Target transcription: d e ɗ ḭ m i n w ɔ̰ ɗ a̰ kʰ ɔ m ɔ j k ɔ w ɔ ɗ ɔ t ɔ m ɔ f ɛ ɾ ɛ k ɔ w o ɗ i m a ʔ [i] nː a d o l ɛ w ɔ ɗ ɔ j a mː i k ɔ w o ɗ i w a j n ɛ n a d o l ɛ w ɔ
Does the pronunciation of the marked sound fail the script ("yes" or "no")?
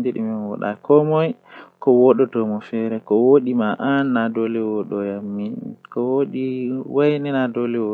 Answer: yes